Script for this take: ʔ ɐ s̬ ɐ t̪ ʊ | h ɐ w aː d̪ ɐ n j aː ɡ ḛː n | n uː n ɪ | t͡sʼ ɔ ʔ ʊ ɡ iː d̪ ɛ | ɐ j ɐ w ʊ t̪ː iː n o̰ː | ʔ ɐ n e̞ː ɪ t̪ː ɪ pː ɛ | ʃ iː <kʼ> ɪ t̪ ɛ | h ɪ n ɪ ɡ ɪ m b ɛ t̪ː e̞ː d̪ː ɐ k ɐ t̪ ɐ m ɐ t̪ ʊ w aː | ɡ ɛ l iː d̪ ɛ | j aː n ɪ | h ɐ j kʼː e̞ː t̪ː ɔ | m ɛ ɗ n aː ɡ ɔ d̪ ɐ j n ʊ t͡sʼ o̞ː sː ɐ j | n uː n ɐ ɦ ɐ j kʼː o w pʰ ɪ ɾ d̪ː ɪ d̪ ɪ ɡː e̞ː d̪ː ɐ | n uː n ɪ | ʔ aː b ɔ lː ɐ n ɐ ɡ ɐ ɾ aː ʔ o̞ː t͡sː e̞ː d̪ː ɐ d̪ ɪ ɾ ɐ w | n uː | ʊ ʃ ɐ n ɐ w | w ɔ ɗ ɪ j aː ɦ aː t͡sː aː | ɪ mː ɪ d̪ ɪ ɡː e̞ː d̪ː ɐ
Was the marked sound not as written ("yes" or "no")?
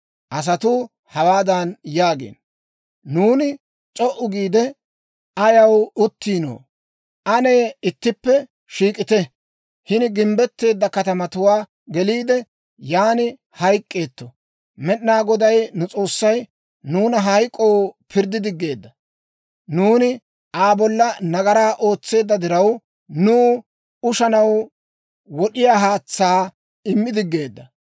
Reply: no